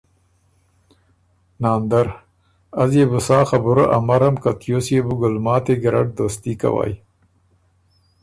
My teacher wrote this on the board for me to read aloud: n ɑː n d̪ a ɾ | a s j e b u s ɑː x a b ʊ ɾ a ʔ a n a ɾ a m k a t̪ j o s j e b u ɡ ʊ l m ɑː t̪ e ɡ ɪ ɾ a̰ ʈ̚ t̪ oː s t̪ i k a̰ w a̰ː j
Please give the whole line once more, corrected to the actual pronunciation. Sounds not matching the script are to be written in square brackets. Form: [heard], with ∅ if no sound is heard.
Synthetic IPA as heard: n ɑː n d̪ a ɾ | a [z] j e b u s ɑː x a b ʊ ɾ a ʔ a [m] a ɾ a m k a t̪ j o s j e b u ɡ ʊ l m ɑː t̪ e ɡ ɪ ɾ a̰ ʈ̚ [d̪] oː s t̪ i k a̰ w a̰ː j